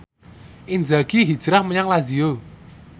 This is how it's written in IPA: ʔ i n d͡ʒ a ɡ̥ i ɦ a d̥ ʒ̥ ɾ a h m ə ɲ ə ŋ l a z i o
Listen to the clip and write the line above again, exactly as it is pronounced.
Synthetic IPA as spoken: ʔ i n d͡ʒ a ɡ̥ i ɦ i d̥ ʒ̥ ɾ a h m ə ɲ a ŋ l a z i o